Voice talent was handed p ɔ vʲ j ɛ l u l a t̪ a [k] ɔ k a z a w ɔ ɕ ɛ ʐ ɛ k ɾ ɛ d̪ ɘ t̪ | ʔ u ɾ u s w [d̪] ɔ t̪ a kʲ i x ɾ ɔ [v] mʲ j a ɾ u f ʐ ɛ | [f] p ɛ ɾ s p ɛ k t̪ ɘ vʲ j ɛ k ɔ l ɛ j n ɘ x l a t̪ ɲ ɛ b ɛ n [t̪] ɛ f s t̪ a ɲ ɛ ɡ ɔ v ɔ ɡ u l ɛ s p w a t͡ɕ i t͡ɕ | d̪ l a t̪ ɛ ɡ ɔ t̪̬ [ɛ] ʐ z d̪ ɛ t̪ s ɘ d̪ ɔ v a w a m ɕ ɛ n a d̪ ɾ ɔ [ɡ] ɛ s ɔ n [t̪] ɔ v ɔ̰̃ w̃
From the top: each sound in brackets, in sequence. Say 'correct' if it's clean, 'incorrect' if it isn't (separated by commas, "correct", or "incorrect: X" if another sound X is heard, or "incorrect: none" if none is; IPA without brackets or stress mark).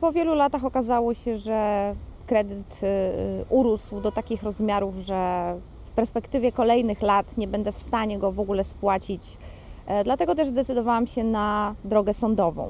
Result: incorrect: x, correct, incorrect: z, correct, incorrect: d̪, correct, correct, incorrect: d̪